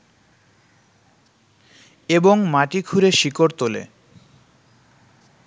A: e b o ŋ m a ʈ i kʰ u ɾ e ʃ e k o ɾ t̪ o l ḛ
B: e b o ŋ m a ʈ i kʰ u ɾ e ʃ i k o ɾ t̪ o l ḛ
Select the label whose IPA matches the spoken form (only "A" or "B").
B